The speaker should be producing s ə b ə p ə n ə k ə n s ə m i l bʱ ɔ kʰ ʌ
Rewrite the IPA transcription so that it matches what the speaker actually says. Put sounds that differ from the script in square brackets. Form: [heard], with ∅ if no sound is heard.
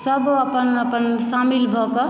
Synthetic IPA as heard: s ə b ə p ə n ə [p] ə n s [a] m i l bʱ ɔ [k] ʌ